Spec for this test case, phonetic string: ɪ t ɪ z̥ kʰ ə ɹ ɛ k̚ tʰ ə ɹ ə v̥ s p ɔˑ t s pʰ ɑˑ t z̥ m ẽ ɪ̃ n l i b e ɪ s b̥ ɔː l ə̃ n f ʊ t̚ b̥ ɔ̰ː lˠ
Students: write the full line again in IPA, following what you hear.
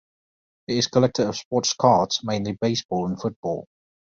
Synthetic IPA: ɪ t ɪ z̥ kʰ ə l ɛ k̚ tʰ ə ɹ ə v̥ s p ɔˑ t s kʰ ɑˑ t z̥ m ẽ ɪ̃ n l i b e ɪ s b̥ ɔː l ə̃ n f ʊ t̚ b̥ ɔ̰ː lˠ